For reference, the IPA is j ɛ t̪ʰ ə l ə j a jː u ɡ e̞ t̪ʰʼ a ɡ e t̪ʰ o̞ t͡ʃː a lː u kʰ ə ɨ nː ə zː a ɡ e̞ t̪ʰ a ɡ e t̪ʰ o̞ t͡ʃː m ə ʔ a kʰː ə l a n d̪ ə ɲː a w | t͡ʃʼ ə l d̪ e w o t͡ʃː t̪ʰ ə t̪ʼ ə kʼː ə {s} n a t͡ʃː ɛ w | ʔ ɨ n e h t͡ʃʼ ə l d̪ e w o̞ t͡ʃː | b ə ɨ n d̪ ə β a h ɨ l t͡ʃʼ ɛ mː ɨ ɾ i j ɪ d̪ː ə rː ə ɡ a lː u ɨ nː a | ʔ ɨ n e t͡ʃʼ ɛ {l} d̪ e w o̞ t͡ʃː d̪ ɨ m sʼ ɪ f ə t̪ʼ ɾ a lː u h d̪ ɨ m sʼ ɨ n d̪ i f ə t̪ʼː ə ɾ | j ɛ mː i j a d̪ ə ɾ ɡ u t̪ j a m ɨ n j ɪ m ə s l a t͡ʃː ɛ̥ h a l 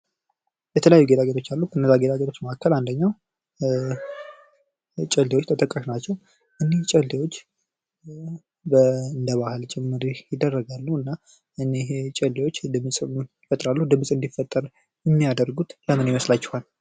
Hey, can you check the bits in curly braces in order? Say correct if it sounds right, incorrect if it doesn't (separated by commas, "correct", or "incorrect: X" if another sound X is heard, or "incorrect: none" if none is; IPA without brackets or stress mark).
incorrect: ʃ, correct